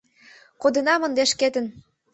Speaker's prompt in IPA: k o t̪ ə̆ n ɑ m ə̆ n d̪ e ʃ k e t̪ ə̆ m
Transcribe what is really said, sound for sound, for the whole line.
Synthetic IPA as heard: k o d̪ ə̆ n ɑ m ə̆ n d̪ e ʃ k e t̪ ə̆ n